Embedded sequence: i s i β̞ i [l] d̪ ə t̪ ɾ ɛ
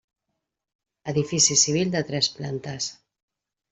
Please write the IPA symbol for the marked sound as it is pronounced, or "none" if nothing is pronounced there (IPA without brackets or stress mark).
l